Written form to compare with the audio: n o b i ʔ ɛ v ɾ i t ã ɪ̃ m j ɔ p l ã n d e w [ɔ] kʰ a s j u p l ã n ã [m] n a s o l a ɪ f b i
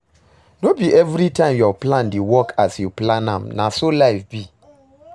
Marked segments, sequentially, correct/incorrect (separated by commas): correct, correct